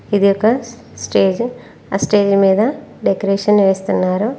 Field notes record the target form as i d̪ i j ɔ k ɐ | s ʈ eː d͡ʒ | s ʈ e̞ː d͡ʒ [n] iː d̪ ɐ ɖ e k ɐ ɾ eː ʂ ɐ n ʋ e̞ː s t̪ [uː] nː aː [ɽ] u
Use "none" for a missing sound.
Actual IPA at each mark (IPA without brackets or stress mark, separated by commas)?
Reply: m, u, ɾ